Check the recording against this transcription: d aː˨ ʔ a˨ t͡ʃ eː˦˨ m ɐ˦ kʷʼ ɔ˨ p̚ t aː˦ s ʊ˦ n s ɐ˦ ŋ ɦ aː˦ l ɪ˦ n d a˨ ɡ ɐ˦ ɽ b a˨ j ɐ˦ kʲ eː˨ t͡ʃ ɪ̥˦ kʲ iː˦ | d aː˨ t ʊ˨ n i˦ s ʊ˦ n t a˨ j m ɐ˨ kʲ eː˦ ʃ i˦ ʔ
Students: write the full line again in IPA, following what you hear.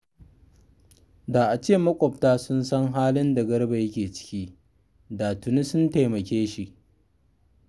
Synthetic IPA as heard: d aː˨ ʔ a˨ t͡ʃ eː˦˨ m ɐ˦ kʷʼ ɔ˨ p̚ t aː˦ s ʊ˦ n s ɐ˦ ŋ ɦ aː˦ l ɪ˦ n d a˨ ɡ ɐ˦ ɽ b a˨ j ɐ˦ kʲ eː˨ t͡ʃ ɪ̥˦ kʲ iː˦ | d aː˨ t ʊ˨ n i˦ s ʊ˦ n t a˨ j m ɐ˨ kʲ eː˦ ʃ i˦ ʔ